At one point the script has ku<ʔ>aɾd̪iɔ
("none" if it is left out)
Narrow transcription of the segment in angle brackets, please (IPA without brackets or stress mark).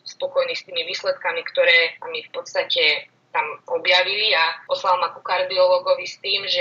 k